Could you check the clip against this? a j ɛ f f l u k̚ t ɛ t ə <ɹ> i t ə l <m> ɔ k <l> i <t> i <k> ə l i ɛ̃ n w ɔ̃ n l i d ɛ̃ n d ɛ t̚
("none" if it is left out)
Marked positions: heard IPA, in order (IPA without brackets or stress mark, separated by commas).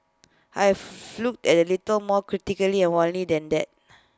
l, m, ɹ, t, k